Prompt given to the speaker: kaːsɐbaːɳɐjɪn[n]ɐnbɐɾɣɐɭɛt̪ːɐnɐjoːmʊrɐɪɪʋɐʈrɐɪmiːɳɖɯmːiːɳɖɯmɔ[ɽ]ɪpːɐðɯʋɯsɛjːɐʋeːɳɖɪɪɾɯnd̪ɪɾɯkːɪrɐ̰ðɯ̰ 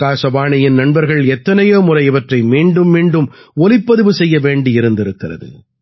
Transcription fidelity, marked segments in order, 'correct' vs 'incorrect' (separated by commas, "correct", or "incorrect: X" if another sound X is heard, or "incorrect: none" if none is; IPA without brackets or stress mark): correct, incorrect: l